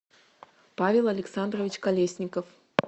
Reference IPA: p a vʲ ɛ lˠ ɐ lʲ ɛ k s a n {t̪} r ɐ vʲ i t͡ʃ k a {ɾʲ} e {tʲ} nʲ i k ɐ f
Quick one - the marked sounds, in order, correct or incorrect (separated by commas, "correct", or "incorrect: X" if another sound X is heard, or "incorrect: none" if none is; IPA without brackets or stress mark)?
incorrect: d̪, incorrect: lʲ, incorrect: sʲ